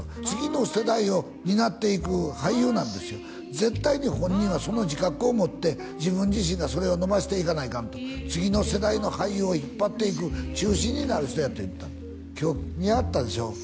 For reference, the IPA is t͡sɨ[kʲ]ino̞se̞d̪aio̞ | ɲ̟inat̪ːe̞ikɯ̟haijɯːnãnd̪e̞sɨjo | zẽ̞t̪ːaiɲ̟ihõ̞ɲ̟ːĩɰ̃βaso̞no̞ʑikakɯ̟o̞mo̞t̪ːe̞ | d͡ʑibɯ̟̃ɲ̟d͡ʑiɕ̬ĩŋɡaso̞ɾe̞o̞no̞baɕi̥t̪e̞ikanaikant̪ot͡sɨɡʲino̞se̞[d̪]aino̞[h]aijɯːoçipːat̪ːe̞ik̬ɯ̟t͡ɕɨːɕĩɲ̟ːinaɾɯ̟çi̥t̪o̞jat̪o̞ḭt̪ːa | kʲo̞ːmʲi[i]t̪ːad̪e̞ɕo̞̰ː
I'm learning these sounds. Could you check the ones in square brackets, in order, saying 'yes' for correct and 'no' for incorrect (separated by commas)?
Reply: no, yes, yes, no